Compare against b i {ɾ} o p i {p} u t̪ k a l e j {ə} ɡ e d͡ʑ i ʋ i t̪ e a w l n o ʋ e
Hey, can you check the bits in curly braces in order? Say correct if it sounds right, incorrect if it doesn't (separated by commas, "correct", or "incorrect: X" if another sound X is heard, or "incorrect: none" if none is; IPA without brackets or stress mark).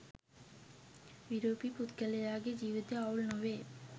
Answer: correct, correct, incorrect: a